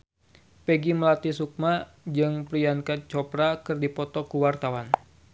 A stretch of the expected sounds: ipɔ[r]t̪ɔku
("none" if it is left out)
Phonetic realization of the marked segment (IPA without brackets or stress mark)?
none